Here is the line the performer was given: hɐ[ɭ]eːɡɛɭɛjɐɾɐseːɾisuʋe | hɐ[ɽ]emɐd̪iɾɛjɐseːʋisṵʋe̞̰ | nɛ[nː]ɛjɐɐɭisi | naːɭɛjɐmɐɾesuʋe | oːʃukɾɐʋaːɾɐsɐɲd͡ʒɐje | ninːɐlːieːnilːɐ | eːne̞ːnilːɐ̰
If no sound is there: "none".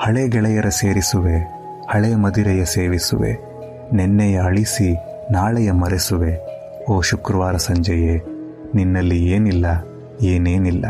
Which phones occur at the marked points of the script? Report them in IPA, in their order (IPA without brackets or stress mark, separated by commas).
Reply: ɭ, ɭ, nː